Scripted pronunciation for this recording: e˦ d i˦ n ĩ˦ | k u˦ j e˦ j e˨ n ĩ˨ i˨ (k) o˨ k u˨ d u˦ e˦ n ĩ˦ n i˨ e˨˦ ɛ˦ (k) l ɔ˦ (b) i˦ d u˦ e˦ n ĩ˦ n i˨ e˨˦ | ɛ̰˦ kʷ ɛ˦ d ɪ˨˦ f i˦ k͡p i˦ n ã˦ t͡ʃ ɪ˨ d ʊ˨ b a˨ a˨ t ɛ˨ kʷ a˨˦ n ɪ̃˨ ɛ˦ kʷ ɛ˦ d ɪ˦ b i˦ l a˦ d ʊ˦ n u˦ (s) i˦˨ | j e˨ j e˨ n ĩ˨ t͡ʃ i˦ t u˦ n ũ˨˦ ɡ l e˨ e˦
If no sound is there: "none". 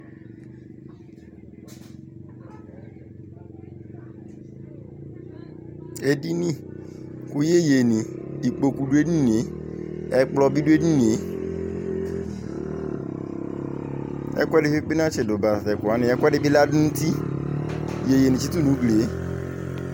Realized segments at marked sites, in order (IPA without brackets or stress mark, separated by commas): k͡p, k͡p, b, t